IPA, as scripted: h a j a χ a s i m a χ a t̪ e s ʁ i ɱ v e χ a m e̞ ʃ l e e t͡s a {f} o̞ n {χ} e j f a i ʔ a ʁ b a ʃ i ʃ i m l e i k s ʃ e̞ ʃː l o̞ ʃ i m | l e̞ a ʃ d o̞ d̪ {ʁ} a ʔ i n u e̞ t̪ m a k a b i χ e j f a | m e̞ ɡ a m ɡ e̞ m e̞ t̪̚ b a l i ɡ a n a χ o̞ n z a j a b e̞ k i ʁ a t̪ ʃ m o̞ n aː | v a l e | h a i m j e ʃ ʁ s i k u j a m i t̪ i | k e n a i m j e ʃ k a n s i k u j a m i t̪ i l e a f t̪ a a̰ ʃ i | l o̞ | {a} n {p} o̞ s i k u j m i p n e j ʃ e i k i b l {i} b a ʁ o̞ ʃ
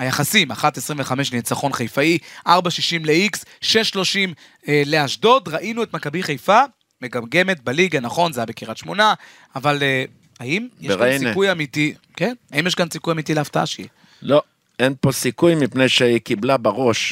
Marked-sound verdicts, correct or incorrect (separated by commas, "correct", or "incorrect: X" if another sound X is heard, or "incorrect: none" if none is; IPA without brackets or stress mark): incorrect: χ, correct, correct, incorrect: e, correct, incorrect: a